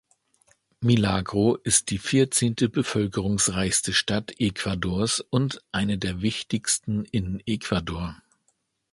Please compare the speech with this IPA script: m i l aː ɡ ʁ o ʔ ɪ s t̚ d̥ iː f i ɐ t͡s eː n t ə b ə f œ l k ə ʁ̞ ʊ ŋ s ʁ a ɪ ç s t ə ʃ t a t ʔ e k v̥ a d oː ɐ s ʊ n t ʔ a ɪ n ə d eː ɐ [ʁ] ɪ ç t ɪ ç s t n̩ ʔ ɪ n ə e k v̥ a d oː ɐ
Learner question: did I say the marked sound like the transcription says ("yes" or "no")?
no